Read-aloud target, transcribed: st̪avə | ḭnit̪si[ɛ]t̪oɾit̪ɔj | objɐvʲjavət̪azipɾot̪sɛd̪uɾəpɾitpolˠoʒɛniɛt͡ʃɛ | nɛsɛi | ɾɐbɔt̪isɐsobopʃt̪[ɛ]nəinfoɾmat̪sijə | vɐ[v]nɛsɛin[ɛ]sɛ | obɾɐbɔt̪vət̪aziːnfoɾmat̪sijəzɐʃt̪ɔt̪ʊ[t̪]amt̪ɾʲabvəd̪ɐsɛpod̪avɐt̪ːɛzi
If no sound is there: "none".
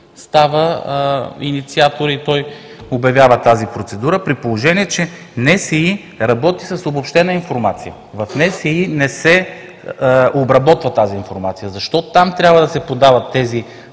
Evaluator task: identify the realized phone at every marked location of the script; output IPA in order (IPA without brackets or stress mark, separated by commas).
a, ɛ, f, ɛ, t̪